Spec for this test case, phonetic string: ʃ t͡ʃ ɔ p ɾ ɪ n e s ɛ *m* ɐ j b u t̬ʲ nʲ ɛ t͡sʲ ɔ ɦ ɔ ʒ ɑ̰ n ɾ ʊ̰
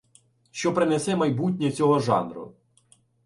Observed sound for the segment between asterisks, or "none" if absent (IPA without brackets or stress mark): m